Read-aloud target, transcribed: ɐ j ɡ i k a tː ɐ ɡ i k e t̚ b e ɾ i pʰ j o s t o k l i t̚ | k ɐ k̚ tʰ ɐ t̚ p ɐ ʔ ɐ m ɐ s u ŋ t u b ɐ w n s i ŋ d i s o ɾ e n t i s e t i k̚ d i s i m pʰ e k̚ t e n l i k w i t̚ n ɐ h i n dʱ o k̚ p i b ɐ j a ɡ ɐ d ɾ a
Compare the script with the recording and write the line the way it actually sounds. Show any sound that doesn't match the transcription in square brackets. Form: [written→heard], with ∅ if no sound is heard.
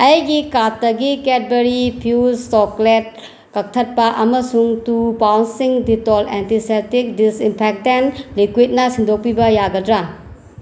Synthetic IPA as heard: ɐ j ɡ i k a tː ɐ ɡ i k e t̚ b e ɾ i pʰ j [o→u] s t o k l [i→e] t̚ | k ɐ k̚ tʰ ɐ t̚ p ɐ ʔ ɐ m ɐ s u ŋ t u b [ɐ→a] w n s i ŋ d i [s→t] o [ɾ→l] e n t i s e t i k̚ d i s i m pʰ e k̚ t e n l i k w i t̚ n ɐ [h→s] i n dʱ o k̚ p i b ɐ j a ɡ ɐ d ɾ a